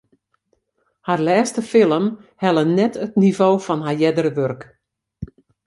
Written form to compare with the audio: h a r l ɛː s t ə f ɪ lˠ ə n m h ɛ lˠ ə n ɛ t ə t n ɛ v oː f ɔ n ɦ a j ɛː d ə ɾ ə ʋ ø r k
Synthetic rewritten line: h a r l ɛː s t ə f ɪ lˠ ə m h ɛ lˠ ə n ɛ t ə t n i v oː f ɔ n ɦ a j ɛ d ə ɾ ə ʋ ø r k